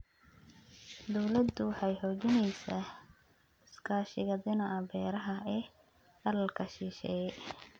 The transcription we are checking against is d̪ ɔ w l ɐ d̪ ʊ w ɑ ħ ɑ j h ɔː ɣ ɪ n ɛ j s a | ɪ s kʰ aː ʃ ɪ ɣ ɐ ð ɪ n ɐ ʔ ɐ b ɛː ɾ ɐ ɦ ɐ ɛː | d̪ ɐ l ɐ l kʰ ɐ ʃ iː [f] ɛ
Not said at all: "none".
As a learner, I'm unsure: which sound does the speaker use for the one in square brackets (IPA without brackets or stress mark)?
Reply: ʃ